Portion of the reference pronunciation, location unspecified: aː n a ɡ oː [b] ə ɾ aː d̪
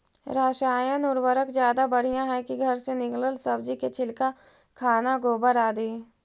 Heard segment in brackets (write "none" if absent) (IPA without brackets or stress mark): b